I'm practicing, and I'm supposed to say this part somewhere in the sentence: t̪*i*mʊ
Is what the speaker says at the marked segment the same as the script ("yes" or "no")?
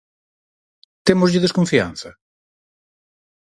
no